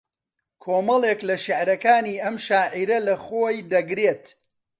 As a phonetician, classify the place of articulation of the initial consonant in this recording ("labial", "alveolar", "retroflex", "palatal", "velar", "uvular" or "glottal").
velar